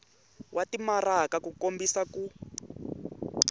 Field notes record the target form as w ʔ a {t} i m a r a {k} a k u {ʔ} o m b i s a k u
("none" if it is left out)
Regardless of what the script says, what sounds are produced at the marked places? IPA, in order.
t, k, k

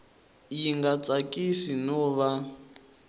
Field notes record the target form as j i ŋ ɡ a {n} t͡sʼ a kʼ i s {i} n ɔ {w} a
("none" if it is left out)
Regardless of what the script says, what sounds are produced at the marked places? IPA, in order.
none, i, β

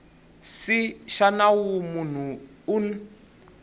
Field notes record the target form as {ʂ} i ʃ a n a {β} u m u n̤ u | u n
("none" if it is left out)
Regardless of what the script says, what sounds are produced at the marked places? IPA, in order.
s, w

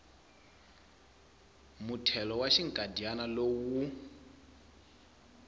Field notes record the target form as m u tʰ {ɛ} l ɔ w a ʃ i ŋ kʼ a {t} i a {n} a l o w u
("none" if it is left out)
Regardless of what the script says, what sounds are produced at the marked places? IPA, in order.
ɛ, d, n

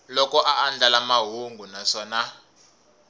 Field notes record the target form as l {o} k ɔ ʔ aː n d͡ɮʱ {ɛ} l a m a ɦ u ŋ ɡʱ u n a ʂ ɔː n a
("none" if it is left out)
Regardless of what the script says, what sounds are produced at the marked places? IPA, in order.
ɔ, a

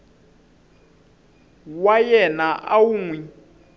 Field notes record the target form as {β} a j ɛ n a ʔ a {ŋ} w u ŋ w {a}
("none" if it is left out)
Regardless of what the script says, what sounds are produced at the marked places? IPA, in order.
w, none, i

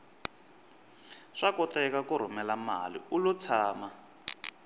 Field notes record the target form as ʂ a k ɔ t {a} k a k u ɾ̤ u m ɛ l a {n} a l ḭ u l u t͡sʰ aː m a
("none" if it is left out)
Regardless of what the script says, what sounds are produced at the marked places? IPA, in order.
ɛ, m

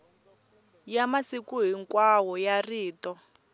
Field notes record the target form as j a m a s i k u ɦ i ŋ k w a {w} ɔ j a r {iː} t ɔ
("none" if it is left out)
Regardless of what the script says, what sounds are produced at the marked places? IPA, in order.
w, iː

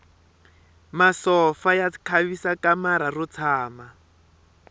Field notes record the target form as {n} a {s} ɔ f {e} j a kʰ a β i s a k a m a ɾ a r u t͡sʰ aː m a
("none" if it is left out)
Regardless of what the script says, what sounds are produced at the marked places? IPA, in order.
m, s, a

